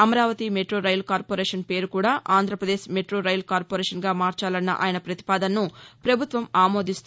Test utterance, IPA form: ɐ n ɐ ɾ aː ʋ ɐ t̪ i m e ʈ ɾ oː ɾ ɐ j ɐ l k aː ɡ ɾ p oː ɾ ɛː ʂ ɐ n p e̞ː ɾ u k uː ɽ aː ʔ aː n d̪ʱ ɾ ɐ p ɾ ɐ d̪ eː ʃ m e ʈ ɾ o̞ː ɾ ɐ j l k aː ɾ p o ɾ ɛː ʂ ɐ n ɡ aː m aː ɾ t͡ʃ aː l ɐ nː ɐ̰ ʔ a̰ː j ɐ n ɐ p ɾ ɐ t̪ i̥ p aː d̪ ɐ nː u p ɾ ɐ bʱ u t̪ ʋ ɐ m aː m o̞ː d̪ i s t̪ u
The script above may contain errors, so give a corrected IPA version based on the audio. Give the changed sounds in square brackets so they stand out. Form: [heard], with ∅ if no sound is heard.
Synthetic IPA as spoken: ɐ [m] ɐ ɾ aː ʋ ɐ t̪ i m e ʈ ɾ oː ɾ ɐ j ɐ l k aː [∅] ɾ p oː ɾ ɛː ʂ ɐ n p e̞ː ɾ u k uː ɽ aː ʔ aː n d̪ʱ ɾ ɐ p ɾ ɐ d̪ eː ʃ m e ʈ ɾ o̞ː ɾ ɐ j l k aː ɾ p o ɾ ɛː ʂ ɐ n ɡ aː m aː ɾ t͡ʃ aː l ɐ nː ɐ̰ ʔ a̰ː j ɐ n ɐ p ɾ ɐ t̪ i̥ p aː d̪ ɐ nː u p ɾ ɐ bʱ u t̪ ʋ ɐ m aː m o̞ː d̪ i s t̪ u